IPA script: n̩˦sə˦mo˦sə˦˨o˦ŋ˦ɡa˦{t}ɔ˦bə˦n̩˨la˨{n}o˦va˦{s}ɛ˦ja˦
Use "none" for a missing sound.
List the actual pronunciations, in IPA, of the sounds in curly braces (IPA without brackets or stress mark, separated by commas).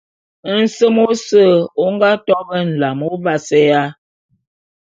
t, m, s